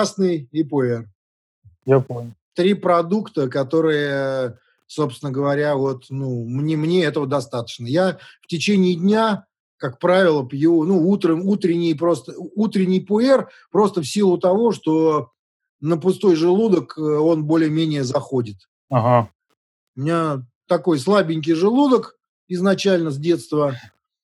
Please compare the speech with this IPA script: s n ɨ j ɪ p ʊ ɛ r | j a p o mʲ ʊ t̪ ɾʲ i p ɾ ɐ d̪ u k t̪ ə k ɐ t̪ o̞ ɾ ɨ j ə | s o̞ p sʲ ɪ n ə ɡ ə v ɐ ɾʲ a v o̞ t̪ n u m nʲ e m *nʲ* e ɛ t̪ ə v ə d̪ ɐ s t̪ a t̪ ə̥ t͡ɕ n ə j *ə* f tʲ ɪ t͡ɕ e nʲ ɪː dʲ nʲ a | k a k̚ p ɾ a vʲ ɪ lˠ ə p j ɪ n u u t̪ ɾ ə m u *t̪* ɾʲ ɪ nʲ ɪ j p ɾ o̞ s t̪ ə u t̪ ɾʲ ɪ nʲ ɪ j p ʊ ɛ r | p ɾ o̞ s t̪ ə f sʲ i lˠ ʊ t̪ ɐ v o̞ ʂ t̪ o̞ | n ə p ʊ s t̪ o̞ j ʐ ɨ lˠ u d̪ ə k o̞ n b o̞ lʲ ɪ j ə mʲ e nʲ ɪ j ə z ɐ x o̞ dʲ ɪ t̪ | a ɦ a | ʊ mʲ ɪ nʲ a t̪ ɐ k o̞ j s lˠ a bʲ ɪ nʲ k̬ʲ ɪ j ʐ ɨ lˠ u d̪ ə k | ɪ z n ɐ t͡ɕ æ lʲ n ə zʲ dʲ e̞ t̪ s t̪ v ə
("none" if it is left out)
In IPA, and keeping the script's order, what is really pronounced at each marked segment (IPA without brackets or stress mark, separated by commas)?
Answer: nʲ, a, t̪